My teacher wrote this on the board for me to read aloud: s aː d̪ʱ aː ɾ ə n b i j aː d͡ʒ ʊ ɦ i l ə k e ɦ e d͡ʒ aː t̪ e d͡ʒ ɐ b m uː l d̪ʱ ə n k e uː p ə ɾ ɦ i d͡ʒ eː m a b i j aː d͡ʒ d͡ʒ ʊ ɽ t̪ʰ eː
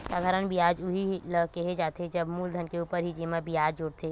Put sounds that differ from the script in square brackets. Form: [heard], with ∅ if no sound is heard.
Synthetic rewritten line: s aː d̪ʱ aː ɾ ə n b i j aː d͡ʒ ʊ ɦ i l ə k e ɦ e d͡ʒ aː t̪ e d͡ʒ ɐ b m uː l d̪ʱ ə n k e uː p ə ɾ ɦ i d͡ʒ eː m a b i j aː d͡ʒ d͡ʒ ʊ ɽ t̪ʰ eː